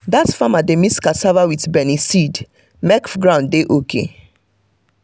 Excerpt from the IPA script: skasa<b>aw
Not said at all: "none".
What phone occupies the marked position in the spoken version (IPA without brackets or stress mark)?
v